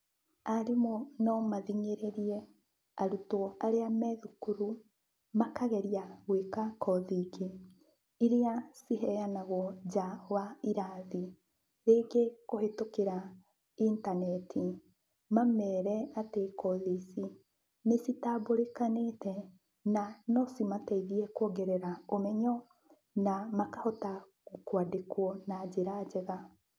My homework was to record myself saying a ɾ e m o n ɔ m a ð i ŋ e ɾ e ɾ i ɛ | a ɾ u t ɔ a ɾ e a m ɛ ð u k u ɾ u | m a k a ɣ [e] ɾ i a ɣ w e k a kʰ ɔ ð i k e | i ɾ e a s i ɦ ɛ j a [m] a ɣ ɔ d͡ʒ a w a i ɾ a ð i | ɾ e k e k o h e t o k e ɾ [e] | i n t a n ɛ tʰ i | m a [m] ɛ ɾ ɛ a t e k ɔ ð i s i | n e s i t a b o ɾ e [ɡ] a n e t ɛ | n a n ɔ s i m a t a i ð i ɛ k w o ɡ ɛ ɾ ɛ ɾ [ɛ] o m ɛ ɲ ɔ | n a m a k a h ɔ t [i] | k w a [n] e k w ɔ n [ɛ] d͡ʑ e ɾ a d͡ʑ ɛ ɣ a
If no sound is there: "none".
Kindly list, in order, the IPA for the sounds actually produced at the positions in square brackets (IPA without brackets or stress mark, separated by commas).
ɛ, n, a, m, k, a, a, d, a